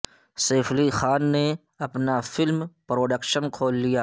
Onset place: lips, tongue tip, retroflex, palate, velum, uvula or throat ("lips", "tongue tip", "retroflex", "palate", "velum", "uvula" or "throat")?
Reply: tongue tip